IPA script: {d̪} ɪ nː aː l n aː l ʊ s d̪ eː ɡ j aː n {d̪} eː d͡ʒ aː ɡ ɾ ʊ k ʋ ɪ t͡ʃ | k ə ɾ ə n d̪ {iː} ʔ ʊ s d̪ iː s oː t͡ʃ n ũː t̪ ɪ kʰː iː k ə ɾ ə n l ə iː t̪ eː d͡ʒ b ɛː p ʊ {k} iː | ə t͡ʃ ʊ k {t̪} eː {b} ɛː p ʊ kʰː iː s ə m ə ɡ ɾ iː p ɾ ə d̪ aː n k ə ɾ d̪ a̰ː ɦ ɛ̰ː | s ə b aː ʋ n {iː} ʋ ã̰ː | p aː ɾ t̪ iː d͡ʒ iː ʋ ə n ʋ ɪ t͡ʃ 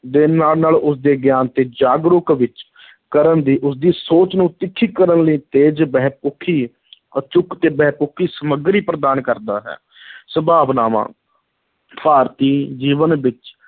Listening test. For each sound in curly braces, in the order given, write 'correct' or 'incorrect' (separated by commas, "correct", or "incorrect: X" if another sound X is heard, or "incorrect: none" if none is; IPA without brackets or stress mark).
correct, incorrect: t̪, correct, incorrect: kʰ, correct, correct, incorrect: aː